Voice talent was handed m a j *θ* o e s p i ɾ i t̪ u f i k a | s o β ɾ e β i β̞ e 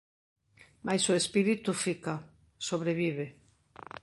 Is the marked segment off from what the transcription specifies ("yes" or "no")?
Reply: yes